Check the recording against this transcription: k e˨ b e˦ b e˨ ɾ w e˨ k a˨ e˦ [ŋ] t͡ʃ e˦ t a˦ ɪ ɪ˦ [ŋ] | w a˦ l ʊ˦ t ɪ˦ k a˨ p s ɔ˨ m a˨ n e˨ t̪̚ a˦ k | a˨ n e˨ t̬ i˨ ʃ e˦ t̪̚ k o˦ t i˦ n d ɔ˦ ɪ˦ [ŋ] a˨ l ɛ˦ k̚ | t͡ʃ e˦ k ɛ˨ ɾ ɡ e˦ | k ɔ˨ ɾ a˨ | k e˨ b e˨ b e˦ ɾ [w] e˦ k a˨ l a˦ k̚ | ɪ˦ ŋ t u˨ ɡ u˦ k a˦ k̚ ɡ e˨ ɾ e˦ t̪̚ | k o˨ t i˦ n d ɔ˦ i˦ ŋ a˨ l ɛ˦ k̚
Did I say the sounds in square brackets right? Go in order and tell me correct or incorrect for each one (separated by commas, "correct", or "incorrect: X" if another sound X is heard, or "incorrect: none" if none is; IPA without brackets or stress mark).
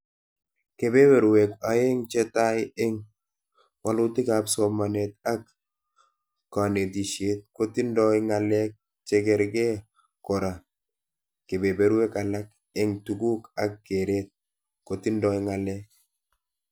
correct, correct, correct, correct